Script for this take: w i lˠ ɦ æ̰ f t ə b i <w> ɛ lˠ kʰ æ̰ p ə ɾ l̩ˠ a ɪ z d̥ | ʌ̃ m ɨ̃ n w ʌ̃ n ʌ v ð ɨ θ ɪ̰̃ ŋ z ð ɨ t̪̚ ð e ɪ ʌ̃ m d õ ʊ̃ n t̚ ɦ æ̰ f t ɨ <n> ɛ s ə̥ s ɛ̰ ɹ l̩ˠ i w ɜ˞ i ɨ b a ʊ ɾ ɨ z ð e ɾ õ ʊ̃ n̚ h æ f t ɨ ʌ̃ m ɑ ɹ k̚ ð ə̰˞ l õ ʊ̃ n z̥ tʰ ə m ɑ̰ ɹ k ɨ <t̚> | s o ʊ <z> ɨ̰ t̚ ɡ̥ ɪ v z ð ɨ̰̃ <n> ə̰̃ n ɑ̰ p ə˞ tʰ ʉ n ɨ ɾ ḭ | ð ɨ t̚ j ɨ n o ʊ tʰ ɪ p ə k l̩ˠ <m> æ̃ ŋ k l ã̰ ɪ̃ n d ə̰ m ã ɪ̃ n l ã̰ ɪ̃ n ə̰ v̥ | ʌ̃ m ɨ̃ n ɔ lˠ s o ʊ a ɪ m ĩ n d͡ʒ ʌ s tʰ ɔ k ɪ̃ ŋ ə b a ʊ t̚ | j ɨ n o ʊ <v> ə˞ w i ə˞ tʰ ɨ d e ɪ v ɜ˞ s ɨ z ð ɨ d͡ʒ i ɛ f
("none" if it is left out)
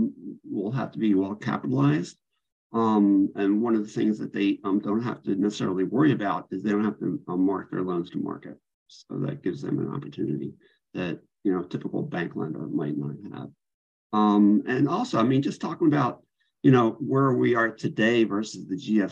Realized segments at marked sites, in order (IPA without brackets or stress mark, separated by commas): w, n, t̚, ð, m, b, w